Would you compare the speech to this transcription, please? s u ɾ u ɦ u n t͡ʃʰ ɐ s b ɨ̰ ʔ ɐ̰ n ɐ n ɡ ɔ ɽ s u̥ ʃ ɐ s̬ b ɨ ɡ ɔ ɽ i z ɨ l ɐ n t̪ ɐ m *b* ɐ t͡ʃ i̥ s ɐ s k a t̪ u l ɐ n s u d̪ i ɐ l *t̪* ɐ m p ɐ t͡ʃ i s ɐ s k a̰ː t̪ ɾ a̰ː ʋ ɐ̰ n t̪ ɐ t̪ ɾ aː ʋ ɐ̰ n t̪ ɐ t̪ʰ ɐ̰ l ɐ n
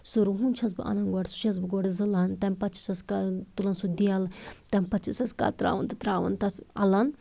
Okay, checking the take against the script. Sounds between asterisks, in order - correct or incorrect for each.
incorrect, correct

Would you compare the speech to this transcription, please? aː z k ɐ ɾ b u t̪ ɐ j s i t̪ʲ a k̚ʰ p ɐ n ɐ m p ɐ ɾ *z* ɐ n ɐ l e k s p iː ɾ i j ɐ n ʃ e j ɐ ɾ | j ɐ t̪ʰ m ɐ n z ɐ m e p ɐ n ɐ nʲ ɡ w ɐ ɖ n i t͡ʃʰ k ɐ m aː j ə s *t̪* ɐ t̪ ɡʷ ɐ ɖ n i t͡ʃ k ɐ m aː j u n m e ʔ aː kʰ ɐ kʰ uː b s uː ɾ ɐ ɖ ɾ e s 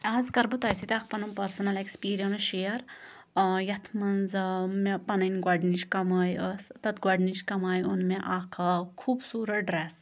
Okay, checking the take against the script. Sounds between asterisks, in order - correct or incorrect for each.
incorrect, correct

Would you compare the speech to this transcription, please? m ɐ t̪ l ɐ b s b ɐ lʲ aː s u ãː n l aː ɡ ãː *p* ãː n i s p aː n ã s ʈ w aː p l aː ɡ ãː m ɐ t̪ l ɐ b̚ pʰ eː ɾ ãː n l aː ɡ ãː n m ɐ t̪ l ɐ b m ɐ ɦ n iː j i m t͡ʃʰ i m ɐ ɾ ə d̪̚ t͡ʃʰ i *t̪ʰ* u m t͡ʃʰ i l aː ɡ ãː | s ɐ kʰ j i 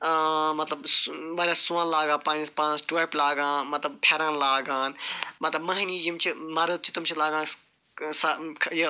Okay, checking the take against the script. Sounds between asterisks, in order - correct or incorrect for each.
correct, incorrect

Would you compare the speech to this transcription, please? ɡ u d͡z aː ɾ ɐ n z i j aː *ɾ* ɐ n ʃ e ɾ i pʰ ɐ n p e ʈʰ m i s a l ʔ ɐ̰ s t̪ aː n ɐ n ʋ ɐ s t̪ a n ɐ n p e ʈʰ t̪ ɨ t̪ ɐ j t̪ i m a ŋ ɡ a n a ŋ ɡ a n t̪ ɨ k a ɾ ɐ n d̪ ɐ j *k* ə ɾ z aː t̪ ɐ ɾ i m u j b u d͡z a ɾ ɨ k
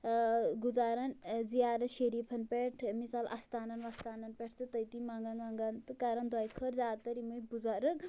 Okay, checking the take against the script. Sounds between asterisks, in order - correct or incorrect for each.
correct, incorrect

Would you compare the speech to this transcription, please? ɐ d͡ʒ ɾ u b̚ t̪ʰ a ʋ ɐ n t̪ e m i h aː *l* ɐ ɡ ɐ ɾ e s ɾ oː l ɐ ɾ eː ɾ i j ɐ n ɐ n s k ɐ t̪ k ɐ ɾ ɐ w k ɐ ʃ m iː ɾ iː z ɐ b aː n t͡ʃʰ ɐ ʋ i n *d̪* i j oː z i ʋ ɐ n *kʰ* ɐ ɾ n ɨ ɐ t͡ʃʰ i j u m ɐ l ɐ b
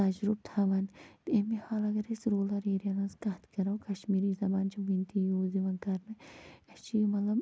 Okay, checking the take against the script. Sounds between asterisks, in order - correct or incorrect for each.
correct, incorrect, incorrect

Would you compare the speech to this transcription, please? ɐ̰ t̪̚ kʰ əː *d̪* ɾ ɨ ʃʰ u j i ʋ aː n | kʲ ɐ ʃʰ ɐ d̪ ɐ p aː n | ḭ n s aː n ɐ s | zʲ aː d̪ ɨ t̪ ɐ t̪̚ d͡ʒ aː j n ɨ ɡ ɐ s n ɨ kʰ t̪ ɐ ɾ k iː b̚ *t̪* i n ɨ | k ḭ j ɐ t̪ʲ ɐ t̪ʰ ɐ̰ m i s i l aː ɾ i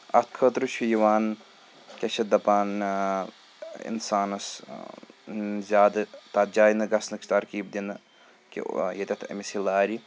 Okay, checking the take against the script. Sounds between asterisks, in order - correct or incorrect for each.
incorrect, incorrect

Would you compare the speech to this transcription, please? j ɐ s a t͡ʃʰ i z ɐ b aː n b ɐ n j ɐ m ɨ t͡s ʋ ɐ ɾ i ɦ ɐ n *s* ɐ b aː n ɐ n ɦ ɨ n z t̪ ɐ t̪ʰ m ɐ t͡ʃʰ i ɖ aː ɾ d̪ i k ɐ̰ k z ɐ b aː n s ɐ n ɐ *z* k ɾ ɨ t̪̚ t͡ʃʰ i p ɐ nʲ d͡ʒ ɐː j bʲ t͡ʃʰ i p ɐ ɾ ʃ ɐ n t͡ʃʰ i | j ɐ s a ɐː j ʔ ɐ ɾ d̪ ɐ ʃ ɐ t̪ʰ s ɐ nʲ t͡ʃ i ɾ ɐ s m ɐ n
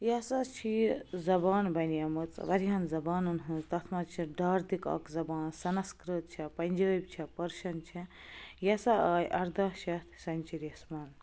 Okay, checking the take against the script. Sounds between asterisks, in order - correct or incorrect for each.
incorrect, incorrect

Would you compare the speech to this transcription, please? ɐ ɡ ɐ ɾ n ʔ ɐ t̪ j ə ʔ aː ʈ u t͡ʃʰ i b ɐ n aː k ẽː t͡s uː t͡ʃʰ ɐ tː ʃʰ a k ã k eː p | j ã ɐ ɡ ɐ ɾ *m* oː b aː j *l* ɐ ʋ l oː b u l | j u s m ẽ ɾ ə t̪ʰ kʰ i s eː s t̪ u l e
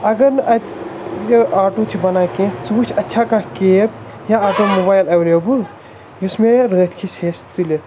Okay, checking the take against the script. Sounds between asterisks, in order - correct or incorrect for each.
correct, correct

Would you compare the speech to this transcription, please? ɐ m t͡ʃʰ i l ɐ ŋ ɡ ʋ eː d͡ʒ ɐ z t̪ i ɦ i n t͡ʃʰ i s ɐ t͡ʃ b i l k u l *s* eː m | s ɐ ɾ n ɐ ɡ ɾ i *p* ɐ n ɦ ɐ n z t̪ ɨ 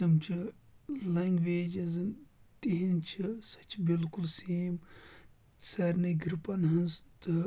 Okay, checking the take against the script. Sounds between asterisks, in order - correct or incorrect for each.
correct, correct

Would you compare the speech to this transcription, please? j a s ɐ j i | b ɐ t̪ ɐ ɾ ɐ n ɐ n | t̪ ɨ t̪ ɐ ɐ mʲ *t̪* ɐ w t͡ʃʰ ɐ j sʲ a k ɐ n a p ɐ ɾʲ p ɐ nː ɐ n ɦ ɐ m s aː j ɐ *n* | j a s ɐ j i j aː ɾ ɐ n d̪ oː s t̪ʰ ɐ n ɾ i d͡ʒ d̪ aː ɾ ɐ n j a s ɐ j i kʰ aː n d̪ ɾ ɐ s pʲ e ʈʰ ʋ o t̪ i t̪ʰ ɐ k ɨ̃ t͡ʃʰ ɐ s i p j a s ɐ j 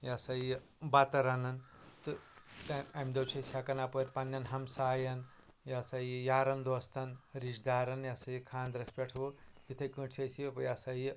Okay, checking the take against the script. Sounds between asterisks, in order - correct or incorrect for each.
incorrect, correct

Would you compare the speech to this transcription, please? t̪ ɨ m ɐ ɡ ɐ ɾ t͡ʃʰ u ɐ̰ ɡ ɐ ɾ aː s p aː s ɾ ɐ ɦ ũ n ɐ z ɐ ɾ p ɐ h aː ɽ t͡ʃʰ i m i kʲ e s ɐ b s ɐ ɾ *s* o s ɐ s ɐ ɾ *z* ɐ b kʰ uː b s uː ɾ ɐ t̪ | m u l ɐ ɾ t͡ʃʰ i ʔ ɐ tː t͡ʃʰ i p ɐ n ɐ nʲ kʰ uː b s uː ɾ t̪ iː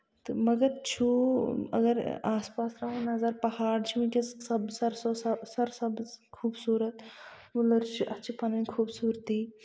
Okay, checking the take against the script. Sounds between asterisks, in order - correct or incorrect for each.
correct, incorrect

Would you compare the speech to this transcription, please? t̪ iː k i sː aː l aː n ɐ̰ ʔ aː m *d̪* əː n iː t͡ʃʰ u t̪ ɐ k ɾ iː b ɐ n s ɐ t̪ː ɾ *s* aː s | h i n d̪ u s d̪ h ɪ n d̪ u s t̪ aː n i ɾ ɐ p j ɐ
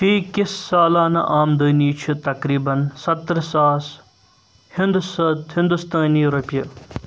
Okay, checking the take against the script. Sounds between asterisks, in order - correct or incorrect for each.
correct, correct

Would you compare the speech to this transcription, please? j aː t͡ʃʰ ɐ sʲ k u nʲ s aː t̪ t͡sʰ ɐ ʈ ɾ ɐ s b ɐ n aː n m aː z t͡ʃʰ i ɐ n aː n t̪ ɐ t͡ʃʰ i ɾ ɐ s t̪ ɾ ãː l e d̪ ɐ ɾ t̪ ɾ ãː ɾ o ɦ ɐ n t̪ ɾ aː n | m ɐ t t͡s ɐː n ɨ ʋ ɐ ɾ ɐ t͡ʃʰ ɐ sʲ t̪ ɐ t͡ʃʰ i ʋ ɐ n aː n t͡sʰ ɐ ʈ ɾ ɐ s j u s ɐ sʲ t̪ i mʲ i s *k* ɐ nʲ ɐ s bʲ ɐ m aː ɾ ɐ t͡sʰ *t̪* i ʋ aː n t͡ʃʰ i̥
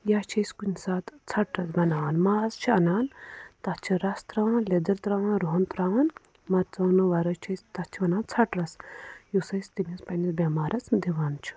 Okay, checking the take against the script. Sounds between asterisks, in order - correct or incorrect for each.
incorrect, incorrect

